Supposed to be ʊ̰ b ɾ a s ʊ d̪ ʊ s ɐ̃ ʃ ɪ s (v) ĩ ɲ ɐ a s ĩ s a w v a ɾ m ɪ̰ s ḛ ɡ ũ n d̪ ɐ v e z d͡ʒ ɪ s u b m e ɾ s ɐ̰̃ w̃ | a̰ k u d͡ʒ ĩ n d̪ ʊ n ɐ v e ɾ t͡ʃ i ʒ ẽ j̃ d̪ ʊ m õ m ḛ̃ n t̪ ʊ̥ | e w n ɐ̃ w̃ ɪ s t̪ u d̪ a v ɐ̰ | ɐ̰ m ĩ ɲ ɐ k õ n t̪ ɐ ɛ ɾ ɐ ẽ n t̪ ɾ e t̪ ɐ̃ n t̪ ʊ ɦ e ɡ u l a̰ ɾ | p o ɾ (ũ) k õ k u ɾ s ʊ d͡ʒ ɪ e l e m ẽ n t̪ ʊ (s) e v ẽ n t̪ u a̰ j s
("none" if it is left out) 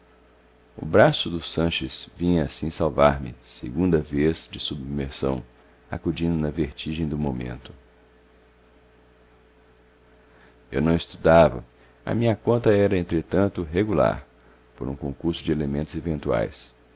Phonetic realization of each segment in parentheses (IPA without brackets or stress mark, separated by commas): v, ũ, z